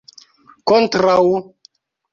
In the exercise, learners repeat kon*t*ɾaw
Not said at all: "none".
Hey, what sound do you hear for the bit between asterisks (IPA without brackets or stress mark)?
t